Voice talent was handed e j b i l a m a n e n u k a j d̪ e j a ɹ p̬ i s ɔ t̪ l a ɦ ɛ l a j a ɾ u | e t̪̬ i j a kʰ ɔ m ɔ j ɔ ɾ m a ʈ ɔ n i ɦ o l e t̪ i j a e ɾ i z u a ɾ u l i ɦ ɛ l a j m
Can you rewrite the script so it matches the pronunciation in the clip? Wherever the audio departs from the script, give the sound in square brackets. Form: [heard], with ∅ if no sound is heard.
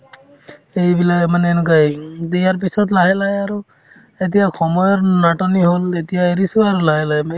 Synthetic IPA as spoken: e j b i l a m a n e n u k a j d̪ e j a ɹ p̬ i s ɔ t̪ l a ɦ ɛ l a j a ɾ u | e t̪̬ i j a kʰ ɔ m ɔ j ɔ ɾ [n] a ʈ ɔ n i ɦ o l e t̪ i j a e ɾ i [s] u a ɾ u l [a] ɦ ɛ l a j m